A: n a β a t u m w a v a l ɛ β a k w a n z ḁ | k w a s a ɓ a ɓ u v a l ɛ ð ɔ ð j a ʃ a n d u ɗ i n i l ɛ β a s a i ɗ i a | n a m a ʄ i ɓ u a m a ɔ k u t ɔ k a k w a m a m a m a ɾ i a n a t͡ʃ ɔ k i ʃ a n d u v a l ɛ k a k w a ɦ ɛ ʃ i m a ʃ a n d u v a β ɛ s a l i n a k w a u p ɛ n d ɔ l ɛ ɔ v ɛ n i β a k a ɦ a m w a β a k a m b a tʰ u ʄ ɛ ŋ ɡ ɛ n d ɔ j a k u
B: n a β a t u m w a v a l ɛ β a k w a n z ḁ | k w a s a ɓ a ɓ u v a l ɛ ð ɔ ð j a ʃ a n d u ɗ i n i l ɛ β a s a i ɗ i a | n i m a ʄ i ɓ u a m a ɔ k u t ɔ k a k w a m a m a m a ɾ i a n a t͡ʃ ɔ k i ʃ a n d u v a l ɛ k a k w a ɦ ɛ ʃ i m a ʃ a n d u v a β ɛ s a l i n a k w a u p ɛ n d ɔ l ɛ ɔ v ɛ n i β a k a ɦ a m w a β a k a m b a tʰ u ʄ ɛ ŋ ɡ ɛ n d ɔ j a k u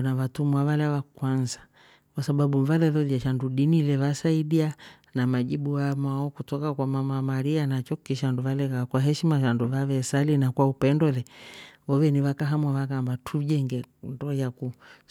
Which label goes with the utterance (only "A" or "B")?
A